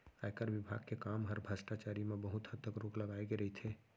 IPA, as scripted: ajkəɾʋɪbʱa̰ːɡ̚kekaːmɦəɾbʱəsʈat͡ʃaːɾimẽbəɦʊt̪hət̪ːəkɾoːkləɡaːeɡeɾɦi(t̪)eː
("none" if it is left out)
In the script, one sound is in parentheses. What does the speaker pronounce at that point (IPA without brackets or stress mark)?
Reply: t̪ʰ